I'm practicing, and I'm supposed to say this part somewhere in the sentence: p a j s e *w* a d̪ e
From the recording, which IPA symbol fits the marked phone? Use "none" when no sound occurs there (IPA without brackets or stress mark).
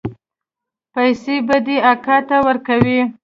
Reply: b